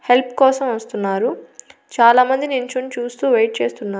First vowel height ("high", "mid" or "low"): mid